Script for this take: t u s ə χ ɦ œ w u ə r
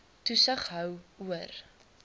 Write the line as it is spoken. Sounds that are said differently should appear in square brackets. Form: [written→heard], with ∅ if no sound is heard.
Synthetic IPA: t u s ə χ ɦ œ w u ə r